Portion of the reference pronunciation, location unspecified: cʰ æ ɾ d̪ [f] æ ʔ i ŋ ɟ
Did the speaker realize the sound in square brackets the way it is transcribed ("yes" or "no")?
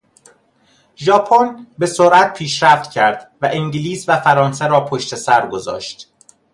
no